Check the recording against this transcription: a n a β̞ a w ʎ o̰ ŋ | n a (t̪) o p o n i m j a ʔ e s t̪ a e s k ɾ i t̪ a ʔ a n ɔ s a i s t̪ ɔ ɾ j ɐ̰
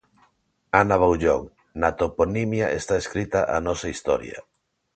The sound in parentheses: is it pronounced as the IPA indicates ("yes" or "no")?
yes